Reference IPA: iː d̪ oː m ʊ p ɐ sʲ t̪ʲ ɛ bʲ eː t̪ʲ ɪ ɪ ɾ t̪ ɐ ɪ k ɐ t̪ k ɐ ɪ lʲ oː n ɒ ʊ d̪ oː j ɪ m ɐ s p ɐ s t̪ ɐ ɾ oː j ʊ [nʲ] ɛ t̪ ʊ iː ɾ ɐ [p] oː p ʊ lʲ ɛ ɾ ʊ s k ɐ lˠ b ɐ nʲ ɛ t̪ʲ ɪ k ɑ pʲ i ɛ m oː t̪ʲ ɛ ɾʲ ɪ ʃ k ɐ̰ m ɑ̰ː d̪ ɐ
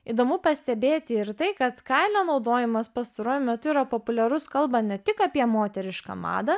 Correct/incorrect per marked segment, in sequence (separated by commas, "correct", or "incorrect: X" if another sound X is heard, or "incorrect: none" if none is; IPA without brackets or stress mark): incorrect: mʲ, correct